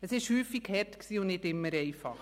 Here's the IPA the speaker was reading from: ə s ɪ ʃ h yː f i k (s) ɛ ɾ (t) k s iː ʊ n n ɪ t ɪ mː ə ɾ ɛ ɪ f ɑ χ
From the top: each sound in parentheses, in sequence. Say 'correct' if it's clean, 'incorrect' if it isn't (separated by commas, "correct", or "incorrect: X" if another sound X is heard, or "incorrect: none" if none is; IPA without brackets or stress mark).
incorrect: h, correct